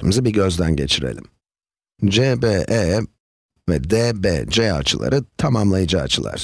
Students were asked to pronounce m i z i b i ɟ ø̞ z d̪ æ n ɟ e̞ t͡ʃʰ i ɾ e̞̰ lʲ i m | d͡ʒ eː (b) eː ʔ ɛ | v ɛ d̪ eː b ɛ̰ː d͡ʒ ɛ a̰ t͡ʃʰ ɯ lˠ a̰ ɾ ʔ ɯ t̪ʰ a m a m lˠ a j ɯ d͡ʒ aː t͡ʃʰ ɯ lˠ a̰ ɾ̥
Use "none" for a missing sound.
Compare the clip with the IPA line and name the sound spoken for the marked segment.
b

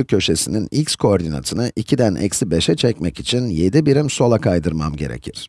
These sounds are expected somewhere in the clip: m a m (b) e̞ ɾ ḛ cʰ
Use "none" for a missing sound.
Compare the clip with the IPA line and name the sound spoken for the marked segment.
ɟ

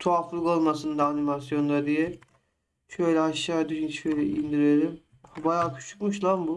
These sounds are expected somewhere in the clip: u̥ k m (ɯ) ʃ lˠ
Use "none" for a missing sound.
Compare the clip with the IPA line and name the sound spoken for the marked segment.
u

